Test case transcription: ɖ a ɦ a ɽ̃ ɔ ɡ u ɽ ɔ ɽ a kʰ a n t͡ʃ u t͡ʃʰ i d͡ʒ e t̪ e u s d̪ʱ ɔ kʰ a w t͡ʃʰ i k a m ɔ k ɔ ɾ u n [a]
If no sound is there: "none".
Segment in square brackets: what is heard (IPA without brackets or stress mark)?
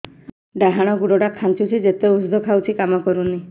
i